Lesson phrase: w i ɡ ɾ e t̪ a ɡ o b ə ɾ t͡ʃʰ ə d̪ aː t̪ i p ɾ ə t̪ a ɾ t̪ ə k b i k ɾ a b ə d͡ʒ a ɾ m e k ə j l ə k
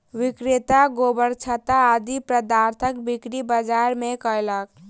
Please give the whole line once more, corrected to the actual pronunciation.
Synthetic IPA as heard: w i k ɾ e t̪ a ɡ o b ə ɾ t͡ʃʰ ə t̪ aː d̪ i p ɾ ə d̪ a ɾ t̪ʰ ə k b i k ɾ i b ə d͡ʒ a ɾ m e k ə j l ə k

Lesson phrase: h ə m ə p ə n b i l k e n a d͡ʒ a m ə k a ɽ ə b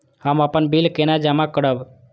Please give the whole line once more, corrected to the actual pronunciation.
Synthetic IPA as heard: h ə m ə p ə n b i l k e n a d͡ʒ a m a k ə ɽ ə b

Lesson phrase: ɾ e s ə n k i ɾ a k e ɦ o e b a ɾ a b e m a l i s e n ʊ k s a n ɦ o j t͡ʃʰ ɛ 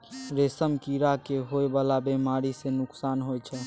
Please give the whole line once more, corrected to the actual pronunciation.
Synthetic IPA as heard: ɾ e s ə m k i ɾ a k e ɦ o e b a l a b e m a ɾ i s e n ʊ k s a n ɦ o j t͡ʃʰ ɛ

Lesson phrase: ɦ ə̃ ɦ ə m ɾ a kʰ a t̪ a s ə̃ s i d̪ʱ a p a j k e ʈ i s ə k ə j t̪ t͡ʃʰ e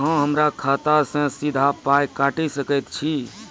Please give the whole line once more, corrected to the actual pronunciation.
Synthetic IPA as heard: ɦ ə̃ ɦ ə m ɾ a kʰ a t̪ a s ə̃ s i d̪ʱ a p a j k a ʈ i s ə k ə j t̪ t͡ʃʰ i

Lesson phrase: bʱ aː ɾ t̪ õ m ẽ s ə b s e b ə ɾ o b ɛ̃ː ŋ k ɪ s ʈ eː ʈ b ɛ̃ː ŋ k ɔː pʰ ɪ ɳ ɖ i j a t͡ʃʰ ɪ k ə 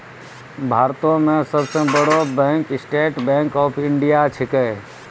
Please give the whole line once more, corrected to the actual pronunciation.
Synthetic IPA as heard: bʱ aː ɾ t̪ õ m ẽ s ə b s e b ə ɽ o b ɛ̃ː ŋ k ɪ s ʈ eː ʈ b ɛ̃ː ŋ k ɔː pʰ ɪ ɳ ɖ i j a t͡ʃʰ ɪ k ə

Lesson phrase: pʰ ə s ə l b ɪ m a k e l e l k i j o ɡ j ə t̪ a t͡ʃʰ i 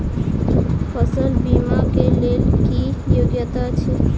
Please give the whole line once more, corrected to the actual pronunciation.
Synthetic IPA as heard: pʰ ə s ə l b i m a k e l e l k i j o ɡ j ə t̪ a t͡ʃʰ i

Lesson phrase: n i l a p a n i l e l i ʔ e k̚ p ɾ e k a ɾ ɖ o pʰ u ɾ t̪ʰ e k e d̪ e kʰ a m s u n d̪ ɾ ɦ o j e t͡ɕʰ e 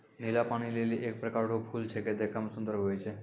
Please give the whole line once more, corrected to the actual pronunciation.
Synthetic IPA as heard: n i l a p a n i l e l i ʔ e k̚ p ɾ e k a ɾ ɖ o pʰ u l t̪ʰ e k e d̪ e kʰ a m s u n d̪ ɾ ɦ o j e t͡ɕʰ e

